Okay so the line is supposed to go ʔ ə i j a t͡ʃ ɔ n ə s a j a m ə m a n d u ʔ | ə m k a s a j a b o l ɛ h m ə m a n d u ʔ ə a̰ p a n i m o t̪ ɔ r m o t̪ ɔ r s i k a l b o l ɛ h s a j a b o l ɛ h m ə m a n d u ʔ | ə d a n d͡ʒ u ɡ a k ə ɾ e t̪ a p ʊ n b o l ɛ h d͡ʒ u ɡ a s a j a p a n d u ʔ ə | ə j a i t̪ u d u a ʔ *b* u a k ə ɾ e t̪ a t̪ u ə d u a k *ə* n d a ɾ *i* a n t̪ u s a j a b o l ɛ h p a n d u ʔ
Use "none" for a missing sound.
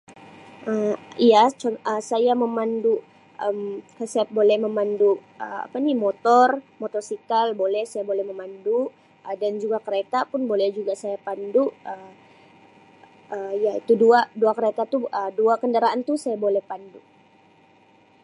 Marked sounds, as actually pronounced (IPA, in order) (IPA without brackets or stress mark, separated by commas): d, ə, a